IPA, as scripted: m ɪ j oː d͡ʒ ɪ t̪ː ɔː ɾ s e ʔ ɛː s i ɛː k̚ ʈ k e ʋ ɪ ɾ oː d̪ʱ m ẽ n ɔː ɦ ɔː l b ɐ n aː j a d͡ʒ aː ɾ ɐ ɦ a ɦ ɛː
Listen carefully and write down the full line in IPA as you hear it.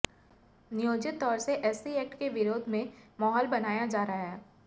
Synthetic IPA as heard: n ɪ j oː d͡ʒ ɪ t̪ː ɔː ɾ s e ʔ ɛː s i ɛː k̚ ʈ k e ʋ ɪ ɾ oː d̪ʱ m ẽ m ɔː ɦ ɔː l b ɐ n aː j a d͡ʒ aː ɾ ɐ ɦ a ɦ ɛː